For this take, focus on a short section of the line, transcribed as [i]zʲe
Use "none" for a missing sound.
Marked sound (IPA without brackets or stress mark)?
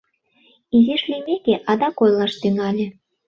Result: i